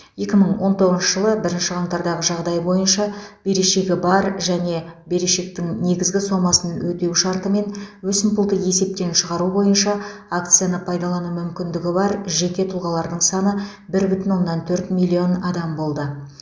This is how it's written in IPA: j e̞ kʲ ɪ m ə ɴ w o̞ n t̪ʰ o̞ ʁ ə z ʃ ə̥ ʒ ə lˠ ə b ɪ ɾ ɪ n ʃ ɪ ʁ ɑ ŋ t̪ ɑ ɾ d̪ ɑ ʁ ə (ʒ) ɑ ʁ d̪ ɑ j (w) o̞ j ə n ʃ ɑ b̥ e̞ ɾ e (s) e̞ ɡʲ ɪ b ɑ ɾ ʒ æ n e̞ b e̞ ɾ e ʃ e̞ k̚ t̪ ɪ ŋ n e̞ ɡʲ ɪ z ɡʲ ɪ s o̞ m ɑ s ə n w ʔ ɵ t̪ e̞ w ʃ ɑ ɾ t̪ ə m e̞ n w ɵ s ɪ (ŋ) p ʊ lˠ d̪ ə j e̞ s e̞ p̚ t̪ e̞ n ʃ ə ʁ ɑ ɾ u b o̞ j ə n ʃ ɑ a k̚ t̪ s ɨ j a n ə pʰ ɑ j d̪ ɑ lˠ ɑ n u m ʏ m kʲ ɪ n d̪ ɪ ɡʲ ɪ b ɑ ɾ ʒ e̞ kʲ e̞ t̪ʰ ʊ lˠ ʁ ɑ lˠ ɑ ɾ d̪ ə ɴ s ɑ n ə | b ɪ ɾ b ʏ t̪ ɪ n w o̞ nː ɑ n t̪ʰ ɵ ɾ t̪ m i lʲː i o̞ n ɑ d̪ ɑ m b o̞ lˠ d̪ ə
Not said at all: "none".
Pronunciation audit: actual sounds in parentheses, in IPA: ʒ, b, ʃ, m

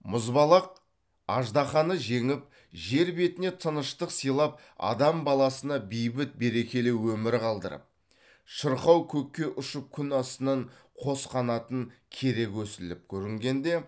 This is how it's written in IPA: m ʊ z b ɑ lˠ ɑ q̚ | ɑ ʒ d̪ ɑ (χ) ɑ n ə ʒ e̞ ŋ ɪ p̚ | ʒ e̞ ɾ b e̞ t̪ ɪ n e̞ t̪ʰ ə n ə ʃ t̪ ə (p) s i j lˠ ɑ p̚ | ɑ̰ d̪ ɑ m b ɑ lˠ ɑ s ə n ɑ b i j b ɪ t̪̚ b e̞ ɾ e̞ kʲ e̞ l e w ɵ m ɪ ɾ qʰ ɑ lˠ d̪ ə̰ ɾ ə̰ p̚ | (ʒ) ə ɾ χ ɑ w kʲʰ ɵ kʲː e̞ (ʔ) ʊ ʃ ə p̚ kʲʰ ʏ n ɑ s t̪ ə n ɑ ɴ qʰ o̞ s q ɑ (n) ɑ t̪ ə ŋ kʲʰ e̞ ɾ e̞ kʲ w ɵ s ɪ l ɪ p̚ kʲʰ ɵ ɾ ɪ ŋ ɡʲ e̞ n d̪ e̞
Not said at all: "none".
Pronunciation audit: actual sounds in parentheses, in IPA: χ, q, ʃ, ʔ, n

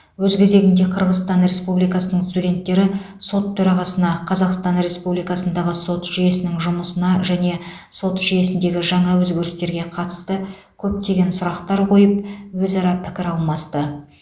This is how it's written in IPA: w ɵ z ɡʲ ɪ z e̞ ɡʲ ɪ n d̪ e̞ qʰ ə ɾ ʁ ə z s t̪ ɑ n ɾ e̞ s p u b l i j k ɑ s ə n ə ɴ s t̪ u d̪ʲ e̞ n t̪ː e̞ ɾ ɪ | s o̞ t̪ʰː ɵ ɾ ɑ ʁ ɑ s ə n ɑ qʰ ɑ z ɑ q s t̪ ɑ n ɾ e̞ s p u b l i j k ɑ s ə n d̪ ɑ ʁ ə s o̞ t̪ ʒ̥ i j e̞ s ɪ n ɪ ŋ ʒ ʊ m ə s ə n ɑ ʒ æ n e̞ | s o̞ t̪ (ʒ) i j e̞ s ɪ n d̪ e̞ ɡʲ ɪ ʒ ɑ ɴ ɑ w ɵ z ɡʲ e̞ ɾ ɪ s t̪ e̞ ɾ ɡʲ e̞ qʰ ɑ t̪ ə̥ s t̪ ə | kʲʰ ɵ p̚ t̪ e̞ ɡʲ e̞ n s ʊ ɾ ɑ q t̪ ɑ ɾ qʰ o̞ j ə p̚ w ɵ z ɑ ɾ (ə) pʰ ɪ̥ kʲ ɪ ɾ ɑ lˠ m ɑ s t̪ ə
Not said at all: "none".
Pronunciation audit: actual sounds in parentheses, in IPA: ʒ, ɑ

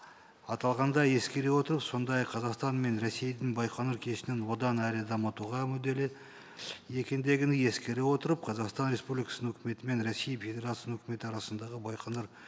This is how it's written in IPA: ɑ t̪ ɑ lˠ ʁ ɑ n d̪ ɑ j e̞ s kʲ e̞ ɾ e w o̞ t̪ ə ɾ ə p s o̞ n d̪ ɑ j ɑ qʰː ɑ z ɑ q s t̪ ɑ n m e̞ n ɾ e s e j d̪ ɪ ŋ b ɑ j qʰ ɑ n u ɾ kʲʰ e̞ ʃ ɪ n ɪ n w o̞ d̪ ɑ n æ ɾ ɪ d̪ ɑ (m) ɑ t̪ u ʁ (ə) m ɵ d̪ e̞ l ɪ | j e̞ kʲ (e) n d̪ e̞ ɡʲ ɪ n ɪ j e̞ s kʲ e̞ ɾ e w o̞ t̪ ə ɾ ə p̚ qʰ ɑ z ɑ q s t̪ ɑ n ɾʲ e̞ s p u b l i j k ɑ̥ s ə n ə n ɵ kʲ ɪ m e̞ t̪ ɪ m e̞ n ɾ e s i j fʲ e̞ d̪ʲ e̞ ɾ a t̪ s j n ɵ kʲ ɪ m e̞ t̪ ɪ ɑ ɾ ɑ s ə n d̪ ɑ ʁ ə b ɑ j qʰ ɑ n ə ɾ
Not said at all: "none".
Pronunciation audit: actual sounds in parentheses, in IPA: m, ɑ, e

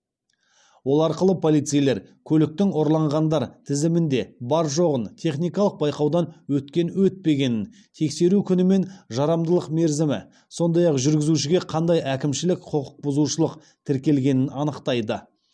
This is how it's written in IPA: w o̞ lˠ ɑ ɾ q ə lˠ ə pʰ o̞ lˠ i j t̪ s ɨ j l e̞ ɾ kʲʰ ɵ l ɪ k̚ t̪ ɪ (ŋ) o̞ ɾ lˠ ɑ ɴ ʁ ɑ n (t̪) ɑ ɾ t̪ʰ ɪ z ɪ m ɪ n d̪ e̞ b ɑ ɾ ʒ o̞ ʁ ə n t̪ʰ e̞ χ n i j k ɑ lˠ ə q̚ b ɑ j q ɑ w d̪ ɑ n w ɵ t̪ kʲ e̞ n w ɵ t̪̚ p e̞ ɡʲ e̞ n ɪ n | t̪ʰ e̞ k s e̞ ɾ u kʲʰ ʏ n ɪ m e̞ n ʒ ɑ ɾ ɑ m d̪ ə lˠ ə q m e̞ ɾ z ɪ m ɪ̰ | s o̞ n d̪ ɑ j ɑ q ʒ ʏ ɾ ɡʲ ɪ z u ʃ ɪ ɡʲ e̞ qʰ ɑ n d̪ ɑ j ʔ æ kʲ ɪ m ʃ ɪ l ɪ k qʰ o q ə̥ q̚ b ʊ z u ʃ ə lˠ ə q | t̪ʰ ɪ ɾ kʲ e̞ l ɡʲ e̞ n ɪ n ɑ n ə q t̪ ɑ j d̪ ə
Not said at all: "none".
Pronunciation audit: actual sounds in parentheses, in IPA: ŋ, d̪

